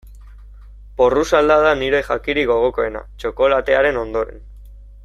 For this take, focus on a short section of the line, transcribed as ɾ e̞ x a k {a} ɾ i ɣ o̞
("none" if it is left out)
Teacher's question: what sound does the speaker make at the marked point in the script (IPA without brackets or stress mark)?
i